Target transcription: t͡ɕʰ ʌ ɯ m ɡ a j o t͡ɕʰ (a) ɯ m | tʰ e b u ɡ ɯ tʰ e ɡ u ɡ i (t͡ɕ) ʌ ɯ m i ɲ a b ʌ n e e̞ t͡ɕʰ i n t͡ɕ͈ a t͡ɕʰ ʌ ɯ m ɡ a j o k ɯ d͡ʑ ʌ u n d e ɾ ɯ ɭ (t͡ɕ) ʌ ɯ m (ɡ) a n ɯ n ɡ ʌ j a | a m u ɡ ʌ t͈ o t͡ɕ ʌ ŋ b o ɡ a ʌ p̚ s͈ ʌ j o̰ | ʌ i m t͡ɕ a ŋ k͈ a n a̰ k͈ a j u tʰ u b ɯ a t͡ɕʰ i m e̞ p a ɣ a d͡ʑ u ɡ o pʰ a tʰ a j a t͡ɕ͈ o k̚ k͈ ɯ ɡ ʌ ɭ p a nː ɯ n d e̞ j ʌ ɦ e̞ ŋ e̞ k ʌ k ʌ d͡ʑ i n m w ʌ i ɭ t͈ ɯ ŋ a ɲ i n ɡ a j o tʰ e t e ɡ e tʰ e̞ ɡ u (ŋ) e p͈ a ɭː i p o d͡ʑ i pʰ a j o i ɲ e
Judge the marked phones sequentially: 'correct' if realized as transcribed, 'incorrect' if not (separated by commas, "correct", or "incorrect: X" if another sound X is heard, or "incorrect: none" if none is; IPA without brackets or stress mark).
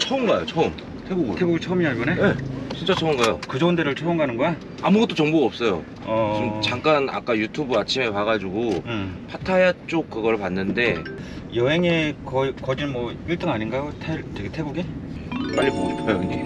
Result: incorrect: ʌ, incorrect: t͡ɕʰ, incorrect: t͡ɕʰ, correct, incorrect: ɡ